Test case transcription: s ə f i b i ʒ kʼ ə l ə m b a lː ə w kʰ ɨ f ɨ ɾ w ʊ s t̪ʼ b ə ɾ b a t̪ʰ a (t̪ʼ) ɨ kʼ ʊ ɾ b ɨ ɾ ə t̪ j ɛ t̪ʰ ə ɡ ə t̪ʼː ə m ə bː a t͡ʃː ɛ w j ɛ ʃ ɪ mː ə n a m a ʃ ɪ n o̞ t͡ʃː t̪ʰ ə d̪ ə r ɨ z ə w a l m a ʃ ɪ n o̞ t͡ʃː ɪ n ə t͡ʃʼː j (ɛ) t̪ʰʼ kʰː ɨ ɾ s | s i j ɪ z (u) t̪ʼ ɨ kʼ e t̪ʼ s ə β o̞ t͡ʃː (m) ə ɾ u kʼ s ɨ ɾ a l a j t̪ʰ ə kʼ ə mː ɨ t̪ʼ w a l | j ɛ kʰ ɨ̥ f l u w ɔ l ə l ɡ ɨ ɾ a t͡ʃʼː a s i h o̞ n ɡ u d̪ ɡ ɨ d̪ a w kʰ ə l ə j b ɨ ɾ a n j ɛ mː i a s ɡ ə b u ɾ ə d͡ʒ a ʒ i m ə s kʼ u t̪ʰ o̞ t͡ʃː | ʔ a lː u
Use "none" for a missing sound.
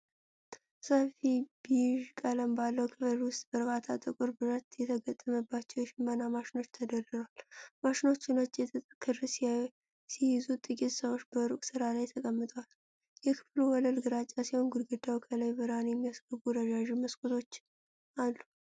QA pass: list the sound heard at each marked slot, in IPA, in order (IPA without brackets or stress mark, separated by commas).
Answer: t̪ʼ, ɛ, u, b